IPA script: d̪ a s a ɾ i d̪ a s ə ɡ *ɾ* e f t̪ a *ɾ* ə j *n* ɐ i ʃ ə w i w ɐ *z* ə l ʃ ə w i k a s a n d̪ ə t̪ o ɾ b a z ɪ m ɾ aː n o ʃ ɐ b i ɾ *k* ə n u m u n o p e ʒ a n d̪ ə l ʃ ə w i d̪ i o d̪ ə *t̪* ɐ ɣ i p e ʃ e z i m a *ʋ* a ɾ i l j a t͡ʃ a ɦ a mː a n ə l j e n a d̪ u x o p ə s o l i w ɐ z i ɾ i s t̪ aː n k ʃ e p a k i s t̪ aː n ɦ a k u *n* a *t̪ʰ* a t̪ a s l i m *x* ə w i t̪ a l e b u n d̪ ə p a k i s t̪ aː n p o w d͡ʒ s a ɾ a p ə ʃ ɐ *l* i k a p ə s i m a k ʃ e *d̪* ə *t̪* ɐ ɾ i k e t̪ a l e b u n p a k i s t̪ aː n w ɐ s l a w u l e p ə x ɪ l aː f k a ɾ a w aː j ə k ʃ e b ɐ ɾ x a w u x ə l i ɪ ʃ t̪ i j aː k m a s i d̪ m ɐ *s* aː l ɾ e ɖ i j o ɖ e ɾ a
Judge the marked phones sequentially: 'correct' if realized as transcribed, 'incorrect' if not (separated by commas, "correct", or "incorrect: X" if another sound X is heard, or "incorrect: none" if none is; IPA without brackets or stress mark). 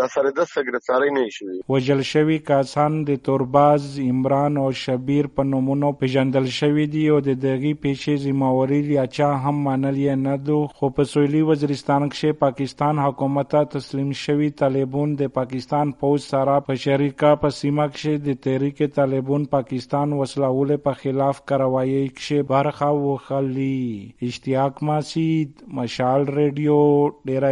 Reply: correct, correct, correct, incorrect: ʒ, incorrect: p, incorrect: d̪, incorrect: w, incorrect: m, incorrect: t̪, incorrect: ʃ, incorrect: ɾ, correct, correct, incorrect: ʃ